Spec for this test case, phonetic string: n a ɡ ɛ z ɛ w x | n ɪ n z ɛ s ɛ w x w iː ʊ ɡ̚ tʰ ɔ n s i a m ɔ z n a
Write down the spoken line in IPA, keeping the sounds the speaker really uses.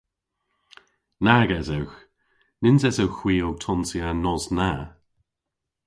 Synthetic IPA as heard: n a ɡ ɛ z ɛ w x | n ɪ n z ɛ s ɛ w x w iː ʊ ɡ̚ tʰ ɔ n s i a n ɔ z n a